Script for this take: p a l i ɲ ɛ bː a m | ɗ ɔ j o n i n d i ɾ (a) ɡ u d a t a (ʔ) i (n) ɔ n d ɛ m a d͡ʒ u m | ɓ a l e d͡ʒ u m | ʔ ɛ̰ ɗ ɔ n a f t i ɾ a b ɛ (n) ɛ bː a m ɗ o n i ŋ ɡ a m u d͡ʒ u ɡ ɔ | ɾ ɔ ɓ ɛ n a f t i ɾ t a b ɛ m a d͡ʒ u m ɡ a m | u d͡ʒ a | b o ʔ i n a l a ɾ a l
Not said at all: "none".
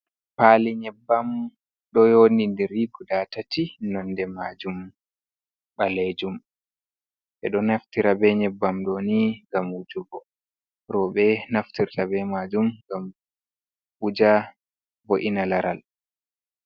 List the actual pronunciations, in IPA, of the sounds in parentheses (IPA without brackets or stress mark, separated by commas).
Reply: i, t, n, ɲ